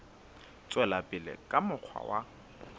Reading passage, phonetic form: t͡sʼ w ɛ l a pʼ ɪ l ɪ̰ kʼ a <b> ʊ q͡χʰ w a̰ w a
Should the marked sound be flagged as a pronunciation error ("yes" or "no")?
yes